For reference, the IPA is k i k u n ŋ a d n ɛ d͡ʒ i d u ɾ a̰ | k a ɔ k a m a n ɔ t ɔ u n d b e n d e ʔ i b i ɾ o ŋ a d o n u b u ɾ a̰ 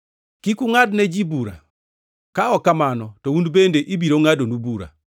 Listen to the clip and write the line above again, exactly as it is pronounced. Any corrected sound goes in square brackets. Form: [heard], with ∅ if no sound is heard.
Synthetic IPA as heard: k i k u [∅] ŋ a d n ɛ d͡ʒ i [b] u ɾ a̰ | k a ɔ k a m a n ɔ t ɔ u n d b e n d e ʔ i b i ɾ o ŋ a d o n u b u ɾ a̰